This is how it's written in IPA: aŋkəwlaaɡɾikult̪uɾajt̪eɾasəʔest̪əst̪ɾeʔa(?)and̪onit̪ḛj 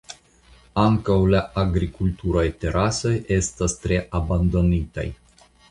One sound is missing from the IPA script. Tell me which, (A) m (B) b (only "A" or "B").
B